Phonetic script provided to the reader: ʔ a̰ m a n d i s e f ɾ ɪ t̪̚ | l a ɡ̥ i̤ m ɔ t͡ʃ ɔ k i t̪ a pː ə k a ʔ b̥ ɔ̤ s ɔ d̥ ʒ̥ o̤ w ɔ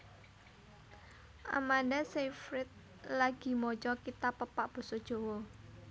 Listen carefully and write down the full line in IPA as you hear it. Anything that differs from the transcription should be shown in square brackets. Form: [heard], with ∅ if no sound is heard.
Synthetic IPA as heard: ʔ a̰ m a n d [a] s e f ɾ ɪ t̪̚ | l a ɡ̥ i̤ m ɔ t͡ʃ ɔ k i t̪ a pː ə [p] a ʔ b̥ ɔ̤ s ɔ d̥ ʒ̥ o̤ w ɔ